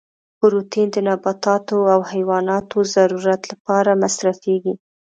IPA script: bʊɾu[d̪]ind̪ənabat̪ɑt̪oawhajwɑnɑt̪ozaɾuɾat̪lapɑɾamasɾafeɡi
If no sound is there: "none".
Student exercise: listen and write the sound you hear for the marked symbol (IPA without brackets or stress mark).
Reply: t̪